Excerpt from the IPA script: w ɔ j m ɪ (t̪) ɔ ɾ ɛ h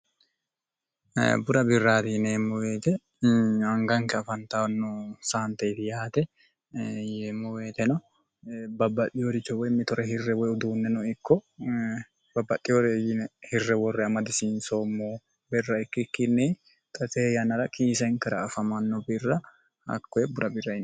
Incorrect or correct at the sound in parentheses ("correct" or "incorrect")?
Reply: correct